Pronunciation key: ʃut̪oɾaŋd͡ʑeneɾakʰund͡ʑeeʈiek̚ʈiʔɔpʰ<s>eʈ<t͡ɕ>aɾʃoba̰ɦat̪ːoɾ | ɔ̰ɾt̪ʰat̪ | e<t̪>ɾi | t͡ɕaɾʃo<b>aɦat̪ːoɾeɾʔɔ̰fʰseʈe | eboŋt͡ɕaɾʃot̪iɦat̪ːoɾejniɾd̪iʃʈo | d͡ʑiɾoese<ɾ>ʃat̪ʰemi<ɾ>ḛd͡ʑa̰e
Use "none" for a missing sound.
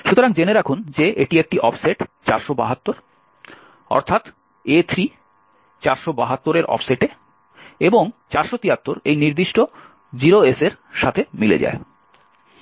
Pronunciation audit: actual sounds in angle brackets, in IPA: s, t͡ɕ, t̪ʰ, b, ɾ, l

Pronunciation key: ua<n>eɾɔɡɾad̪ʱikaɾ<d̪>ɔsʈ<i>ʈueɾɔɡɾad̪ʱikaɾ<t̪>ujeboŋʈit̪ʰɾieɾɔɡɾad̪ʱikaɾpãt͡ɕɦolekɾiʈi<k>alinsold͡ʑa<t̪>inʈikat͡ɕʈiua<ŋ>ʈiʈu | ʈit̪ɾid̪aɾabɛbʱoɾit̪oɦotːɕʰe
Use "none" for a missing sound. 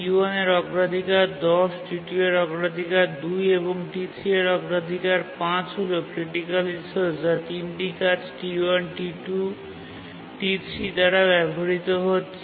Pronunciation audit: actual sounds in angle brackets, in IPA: n, d̪, i, d̪, k, t̪, n

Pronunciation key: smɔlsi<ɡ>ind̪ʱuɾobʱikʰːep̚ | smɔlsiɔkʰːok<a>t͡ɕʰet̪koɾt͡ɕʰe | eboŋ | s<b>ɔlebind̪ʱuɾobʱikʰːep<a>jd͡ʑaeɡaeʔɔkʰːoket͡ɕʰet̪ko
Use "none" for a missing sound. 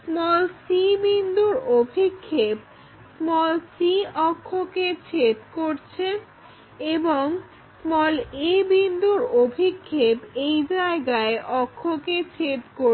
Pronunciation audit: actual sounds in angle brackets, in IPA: b, e, m, e

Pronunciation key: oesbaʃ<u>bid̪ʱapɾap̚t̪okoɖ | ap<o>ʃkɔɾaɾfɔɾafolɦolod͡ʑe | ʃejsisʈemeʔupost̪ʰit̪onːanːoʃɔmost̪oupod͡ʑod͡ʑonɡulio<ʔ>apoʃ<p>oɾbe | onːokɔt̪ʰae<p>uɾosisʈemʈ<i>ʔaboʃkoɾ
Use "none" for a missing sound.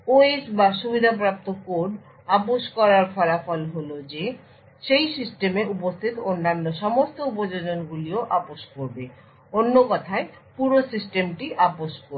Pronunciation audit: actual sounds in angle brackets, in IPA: u, o, ʔ, k, p, i

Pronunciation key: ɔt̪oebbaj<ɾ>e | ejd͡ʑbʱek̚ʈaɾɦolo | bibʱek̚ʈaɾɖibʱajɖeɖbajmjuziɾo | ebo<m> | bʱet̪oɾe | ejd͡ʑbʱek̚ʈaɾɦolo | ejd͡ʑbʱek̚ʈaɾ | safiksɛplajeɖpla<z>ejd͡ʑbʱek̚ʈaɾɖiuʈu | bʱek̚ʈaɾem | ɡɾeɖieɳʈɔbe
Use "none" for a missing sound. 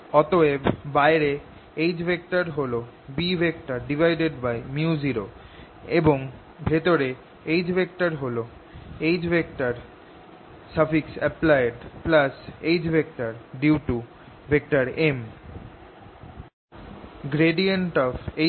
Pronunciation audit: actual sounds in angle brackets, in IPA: ɾ, ŋ, s

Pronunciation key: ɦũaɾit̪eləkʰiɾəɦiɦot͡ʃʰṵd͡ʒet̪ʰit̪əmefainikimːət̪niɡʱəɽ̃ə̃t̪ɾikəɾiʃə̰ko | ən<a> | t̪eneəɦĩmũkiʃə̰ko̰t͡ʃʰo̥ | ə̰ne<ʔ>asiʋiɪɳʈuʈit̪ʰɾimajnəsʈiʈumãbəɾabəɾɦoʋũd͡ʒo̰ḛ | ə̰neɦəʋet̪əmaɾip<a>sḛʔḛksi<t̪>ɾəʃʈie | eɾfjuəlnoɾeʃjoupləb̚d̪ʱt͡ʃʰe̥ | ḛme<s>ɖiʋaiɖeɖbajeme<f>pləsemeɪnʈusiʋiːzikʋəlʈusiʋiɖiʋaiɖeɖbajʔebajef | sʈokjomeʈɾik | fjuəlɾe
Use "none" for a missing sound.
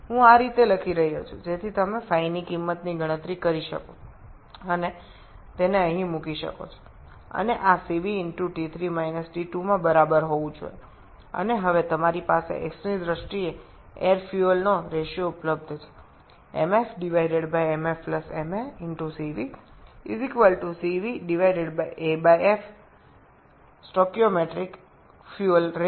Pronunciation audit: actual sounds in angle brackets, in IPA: e, ʔ, a, d̪, f, f

